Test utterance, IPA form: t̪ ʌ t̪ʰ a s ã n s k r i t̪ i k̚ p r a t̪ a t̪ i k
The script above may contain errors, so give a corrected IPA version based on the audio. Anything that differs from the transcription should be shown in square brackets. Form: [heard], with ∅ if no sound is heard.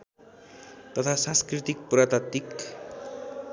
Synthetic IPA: t̪ ʌ t̪ʰ a s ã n s k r i t̪ i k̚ p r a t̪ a t̪ i k

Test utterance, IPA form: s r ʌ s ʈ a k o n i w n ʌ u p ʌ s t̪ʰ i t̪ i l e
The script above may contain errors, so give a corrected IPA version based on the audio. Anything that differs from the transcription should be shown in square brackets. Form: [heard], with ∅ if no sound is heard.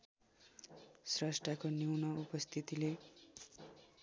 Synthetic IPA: s r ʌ s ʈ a k o n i w n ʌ u p ʌ s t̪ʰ i t̪ i l e

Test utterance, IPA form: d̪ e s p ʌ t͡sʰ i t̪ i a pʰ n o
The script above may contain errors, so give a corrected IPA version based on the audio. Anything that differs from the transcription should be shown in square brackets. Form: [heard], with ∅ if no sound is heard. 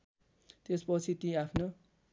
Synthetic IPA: [t̪] e s p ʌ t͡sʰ i t̪ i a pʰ n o

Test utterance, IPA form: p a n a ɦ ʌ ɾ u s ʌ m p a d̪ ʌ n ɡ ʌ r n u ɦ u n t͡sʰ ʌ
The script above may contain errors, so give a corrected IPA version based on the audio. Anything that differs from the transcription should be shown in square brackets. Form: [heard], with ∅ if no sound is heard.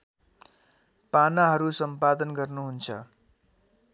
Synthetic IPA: p a n a ɦ ʌ ɾ u s ʌ m p a d̪ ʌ n ɡ ʌ r n u ɦ u n t͡sʰ ʌ

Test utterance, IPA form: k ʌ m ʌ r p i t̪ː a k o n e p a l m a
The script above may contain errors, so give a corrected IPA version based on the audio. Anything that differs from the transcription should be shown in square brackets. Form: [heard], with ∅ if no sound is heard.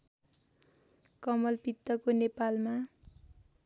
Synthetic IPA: k ʌ m ʌ [l] p i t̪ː [ʌ] k o n e p a l m a

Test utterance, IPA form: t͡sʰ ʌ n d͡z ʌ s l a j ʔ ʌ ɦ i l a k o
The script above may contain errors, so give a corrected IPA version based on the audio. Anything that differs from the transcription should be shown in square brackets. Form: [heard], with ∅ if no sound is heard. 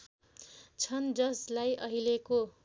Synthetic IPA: t͡sʰ ʌ n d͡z ʌ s l a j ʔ ʌ ɦ i l [e] k o

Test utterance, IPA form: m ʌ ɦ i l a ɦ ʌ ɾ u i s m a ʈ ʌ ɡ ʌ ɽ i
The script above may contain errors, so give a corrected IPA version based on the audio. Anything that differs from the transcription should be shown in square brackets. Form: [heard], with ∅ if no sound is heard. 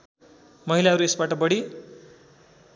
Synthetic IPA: m ʌ ɦ i l a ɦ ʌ ɾ u [e] s [b] a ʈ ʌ [b] ʌ ɽ i

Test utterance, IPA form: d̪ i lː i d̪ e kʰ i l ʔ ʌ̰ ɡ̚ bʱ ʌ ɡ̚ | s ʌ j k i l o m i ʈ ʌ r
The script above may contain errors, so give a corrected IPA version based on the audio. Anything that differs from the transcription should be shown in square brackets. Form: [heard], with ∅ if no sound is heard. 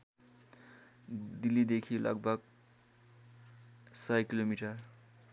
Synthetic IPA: d̪ i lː i d̪ e kʰ i l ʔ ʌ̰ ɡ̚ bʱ ʌ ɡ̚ | s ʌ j k i l o m i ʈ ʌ r

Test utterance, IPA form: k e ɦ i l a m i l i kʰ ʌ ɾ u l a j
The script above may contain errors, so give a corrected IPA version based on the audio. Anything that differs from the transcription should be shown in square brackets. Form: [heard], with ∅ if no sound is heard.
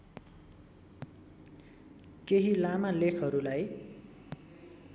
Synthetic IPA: k e ɦ i l a m [a] l [e] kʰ ʌ ɾ u l a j

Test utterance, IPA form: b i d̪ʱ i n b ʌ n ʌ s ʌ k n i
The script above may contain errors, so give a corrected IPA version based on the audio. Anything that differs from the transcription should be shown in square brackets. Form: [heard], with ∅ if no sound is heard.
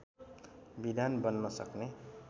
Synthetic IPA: b i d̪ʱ [a] n b ʌ [nː] ʌ s ʌ k n [e]

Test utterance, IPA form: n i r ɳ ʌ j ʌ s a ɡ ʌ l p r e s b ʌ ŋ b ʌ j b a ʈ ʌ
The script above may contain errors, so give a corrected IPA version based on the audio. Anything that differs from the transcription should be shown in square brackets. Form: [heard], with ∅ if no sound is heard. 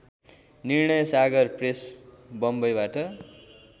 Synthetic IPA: n i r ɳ ʌ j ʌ s a ɡ ʌ [r] p r e s b ʌ [m] b ʌ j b a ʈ ʌ

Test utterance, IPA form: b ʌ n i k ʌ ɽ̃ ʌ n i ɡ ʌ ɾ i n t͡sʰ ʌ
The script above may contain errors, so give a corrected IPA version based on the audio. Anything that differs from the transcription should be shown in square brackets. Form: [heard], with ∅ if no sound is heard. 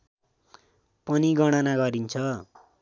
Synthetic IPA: [p] ʌ n i [ɡ] ʌ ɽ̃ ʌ n [a] ɡ ʌ ɾ i n t͡sʰ ʌ

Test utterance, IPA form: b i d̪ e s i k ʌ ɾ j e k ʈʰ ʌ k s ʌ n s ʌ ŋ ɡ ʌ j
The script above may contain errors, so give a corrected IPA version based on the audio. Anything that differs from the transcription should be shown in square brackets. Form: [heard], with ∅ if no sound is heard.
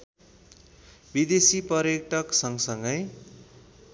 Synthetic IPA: b i d̪ e s i [p] ʌ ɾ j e k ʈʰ ʌ k s ʌ [ŋ] s ʌ ŋ ɡ ʌ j

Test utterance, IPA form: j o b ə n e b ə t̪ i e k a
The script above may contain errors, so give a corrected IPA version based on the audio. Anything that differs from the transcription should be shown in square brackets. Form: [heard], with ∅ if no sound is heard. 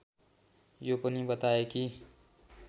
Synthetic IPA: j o [p] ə n [i] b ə t̪ [a] e k [i]

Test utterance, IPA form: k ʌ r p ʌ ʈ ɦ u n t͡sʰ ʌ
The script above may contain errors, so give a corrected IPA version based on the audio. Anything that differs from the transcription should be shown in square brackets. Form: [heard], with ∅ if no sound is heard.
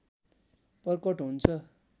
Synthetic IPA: [p] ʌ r [k] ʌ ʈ ɦ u n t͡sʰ ʌ

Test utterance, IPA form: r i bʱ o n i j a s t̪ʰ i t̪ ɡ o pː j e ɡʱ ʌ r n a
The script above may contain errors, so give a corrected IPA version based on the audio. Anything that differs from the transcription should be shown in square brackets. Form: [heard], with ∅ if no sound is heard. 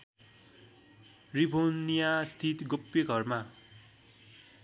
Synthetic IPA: r i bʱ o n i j a s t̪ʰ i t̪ ɡ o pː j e ɡʱ ʌ r [m] a

